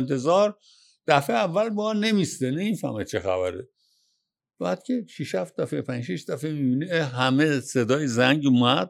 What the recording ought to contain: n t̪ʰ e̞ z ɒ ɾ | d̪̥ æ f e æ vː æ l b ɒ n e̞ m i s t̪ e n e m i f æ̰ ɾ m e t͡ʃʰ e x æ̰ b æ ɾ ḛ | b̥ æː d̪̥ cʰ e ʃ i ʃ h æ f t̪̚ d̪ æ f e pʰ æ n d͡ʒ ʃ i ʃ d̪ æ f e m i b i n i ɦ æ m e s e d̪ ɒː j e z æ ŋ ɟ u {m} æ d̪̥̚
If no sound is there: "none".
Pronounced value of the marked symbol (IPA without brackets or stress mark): m